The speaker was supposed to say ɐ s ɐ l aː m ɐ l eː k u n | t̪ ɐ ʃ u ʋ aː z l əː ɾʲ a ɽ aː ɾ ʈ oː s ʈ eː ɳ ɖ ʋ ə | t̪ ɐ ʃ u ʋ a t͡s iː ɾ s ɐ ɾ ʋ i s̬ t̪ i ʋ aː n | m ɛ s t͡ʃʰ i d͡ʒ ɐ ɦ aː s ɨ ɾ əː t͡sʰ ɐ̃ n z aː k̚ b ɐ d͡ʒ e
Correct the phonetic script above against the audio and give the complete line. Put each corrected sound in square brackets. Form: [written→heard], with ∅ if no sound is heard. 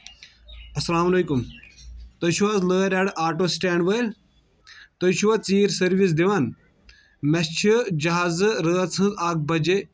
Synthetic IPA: ɐ s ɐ l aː m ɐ l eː k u [n→m] | t̪ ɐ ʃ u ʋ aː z l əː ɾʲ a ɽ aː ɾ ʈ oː s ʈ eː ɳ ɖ ʋ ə | t̪ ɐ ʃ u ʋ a t͡s iː ɾ s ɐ ɾ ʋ i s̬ [t̪→d̪] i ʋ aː n | m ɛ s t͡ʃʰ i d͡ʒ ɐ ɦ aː [s→z] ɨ ɾ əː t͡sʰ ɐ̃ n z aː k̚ b ɐ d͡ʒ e

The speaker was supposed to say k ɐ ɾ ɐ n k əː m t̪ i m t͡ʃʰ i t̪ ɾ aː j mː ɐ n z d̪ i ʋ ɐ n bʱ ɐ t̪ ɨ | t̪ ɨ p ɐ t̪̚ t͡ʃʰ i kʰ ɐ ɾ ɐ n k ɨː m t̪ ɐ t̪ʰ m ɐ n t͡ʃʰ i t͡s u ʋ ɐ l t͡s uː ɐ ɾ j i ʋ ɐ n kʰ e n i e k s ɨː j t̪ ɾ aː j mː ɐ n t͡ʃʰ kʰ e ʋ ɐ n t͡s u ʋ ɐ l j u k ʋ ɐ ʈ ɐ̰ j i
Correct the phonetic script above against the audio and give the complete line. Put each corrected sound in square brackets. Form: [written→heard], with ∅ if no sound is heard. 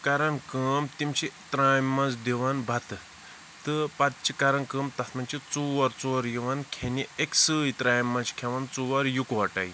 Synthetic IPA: k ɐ ɾ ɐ n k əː m t̪ i m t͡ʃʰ i t̪ ɾ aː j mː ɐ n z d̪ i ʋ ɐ n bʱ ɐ t̪ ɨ | t̪ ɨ p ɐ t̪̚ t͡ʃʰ i [kʰ→k] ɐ ɾ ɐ n k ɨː m t̪ ɐ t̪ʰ m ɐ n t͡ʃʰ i t͡s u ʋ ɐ [l→ɾ] t͡s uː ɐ ɾ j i ʋ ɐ n kʰ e n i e k s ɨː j t̪ ɾ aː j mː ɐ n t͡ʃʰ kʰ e ʋ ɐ n t͡s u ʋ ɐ [l→ɾ] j u k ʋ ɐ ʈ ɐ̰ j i

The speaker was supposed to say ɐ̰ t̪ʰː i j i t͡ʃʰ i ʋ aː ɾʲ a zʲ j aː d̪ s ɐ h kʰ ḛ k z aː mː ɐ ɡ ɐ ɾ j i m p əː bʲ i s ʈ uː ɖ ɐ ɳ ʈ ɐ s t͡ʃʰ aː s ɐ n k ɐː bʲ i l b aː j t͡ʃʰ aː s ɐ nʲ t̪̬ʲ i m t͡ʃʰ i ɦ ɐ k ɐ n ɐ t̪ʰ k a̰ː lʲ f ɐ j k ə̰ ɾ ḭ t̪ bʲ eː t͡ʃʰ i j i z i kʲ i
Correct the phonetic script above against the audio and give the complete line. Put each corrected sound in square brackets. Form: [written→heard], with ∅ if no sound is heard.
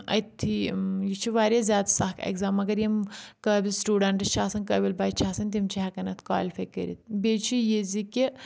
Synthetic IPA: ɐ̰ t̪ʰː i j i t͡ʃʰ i ʋ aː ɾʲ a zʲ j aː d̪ s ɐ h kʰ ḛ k z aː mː ɐ ɡ ɐ ɾ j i m [p→k] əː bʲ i s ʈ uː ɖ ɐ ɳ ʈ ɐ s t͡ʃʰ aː s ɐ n k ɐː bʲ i l b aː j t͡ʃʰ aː s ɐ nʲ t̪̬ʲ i m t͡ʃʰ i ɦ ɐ k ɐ n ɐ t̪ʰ k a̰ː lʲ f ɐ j k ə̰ ɾ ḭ t̪ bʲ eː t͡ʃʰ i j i z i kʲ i

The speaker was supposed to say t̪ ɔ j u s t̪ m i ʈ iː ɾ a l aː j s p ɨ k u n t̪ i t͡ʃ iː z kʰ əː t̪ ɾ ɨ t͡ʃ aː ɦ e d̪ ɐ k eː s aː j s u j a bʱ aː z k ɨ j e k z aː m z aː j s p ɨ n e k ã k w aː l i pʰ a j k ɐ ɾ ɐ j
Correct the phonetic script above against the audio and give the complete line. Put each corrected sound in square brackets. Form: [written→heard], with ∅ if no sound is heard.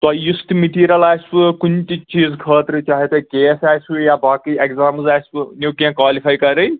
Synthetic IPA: t̪ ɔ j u s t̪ m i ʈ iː ɾ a l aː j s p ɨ k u n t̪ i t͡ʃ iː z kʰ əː t̪ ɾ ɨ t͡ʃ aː ɦ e [d̪→t̪] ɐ k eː s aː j s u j a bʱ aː [z→∅] k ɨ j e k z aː m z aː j s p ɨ n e k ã k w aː l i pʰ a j k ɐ ɾ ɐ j

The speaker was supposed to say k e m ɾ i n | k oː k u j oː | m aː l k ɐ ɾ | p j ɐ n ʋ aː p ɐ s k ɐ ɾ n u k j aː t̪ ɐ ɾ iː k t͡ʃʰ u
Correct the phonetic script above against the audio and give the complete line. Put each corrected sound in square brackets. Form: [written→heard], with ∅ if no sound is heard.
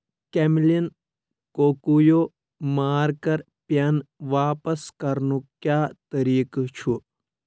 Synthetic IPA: k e m [ɾ→l] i n | k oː k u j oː | m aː [l→ɾ] k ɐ ɾ | p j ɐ n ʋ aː p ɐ s k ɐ ɾ n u k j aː t̪ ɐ ɾ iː k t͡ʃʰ u

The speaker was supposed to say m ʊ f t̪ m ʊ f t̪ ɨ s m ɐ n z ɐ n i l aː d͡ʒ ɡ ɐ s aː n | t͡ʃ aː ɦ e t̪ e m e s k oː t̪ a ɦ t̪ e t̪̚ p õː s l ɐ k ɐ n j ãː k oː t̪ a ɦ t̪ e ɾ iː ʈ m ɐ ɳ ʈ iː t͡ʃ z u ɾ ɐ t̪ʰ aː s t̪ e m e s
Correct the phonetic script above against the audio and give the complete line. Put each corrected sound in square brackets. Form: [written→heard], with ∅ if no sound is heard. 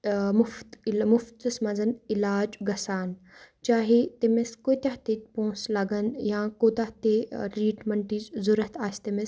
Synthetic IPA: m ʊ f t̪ m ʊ f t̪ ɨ s m ɐ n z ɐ n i l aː d͡ʒ ɡ ɐ s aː n | t͡ʃ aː ɦ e t̪ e m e s k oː t̪ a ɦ t̪ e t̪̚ p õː s l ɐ [k→ɡ] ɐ n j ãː k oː t̪ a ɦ t̪ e ɾ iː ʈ m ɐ ɳ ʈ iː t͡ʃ z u ɾ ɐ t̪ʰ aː s t̪ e m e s

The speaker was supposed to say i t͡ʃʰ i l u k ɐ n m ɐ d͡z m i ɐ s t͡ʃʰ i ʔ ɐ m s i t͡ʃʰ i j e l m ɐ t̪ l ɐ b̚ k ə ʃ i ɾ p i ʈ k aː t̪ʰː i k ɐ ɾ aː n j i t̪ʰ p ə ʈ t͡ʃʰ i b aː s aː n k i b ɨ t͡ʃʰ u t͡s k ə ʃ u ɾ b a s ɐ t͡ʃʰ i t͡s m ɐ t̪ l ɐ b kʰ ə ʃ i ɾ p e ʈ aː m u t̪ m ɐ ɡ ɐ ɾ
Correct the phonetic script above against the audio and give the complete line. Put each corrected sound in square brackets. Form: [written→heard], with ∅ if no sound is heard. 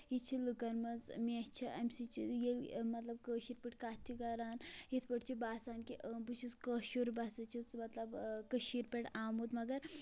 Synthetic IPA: i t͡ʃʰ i l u k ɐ n m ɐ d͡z m i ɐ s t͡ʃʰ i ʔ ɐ m s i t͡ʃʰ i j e l m ɐ t̪ l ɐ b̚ k ə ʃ i ɾ p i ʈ k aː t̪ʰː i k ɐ ɾ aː n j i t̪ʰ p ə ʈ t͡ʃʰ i b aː s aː n k i b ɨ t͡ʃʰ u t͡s k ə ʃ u ɾ b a s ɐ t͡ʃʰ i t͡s m ɐ t̪ l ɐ b [kʰ→k] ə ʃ i ɾ p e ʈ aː m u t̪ m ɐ ɡ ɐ ɾ

